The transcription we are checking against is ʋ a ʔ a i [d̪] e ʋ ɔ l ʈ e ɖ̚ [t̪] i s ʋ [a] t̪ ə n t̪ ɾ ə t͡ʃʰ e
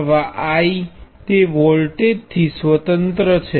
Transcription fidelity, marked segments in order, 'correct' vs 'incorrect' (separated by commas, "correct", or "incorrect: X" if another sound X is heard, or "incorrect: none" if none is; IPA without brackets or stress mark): incorrect: t̪, incorrect: t̪ʰ, incorrect: ə